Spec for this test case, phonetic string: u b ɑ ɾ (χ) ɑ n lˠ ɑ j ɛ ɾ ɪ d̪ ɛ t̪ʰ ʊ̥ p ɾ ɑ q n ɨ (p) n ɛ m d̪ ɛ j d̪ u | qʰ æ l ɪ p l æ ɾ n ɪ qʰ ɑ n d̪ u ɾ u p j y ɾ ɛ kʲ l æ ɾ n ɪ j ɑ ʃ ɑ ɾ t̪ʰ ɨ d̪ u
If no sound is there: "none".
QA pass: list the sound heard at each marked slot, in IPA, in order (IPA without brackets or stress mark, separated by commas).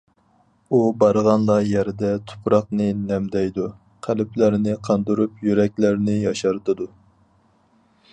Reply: ʁ, none